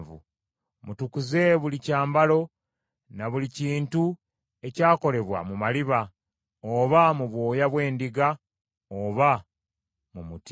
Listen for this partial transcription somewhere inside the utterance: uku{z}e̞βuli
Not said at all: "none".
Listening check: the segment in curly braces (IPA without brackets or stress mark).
z